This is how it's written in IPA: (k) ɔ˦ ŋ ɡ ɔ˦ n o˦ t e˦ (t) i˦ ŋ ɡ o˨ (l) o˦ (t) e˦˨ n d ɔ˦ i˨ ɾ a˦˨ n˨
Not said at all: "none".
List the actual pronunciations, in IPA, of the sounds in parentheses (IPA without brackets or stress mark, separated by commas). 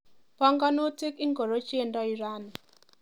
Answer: p, k, ɾ, t͡ʃ